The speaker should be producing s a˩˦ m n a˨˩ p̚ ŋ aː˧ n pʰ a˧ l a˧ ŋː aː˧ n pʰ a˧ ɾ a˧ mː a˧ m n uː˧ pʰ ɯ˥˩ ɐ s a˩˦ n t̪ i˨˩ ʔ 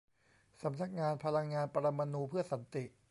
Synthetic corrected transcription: s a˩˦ m n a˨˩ k̚ ŋ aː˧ n pʰ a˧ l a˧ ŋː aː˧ n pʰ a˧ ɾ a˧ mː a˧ n uː˧ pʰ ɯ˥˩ ɐ s a˩˦ n t̪ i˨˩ ʔ